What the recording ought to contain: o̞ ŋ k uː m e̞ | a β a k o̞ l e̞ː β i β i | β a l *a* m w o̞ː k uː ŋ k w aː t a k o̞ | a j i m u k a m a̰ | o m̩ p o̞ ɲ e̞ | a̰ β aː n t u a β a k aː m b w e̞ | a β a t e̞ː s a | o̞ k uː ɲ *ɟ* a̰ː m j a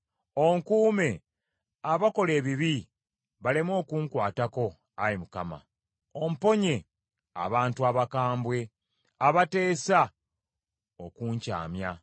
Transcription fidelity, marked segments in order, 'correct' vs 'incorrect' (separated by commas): incorrect, incorrect